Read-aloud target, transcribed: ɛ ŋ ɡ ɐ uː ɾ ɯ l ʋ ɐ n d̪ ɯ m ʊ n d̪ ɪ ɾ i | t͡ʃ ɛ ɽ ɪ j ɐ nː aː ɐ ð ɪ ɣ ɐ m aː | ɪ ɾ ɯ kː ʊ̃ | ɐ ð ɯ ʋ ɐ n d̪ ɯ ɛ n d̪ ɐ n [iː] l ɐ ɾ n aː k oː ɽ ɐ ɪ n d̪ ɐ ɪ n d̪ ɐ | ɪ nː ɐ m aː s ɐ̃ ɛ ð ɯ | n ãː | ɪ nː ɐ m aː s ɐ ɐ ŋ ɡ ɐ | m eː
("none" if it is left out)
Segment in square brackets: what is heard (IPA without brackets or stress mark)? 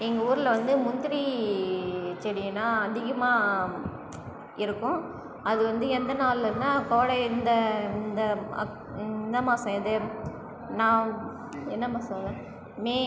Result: aː